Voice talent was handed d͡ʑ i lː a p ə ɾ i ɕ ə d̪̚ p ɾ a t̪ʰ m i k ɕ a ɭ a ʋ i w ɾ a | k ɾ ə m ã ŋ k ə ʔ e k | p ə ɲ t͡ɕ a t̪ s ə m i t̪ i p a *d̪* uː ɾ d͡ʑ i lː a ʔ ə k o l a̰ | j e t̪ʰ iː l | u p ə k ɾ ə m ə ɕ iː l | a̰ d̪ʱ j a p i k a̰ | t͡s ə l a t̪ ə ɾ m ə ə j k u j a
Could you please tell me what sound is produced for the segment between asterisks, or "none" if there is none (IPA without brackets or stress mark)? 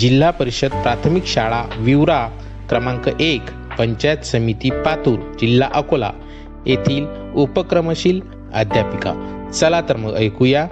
t̪